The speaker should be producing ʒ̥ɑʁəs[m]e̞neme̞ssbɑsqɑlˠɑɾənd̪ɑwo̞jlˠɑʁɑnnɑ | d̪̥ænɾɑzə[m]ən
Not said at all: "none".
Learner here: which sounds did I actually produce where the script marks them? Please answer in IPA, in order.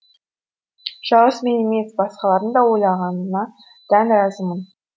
m, m

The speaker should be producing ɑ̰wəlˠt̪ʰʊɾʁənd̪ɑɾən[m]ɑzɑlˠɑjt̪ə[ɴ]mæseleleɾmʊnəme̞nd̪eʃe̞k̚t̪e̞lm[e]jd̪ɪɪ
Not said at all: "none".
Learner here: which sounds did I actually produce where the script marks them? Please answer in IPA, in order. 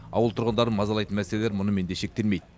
m, n, e

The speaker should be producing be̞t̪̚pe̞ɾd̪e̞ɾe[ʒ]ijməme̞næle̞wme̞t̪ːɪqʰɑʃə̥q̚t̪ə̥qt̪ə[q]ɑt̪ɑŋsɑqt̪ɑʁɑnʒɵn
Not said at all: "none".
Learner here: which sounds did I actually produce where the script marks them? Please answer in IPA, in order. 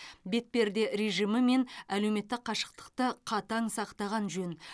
ʒ, qʰ

